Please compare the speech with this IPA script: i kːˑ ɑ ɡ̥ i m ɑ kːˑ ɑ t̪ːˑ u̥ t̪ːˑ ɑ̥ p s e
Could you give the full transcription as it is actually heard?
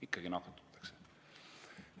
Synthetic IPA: i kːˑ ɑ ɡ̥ i n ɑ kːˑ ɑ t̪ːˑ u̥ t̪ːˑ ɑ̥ k s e